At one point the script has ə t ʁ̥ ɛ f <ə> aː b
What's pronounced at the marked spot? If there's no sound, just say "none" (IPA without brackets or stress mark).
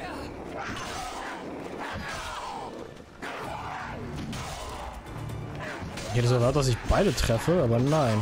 ə